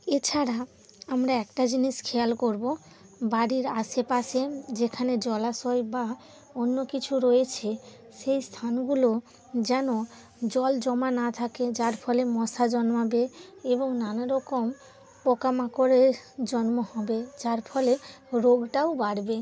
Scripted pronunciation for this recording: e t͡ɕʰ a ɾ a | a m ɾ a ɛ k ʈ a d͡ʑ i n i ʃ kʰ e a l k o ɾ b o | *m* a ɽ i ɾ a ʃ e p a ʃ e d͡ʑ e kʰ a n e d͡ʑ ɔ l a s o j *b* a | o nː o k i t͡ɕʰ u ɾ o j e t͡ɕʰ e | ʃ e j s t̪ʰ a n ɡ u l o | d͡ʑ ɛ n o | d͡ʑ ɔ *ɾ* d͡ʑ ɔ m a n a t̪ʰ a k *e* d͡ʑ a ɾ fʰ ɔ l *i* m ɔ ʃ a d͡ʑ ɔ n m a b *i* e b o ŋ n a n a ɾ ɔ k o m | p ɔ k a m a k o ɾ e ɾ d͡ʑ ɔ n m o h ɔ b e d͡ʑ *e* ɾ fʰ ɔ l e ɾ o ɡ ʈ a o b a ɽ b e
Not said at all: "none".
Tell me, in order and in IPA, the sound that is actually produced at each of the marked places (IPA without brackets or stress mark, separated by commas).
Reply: b, b, l, e, e, e, a